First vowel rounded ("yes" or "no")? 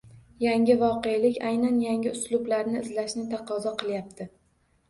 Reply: no